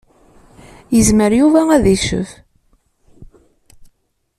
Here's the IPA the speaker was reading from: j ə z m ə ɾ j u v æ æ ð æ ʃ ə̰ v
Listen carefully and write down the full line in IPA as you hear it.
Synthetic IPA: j ə z m ə ɾ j u v æ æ ð i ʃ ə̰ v